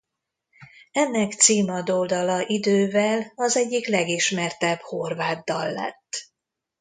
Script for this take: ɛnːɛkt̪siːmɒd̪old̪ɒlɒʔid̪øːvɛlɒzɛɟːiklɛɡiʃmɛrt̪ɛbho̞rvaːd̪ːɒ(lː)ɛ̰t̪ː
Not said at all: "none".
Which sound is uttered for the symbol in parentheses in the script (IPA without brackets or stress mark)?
lː